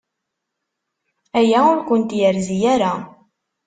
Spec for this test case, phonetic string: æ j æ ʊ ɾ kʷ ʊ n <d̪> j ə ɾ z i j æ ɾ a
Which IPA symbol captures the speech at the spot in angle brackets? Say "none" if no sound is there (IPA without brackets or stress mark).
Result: t̪